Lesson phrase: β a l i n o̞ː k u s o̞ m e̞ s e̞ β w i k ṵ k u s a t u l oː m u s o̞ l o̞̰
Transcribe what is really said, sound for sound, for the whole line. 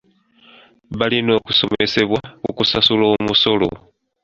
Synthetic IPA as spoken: β a l i n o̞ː k u s o̞ m e̞ s e̞ β w a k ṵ k u s a s u l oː m u s o̞ l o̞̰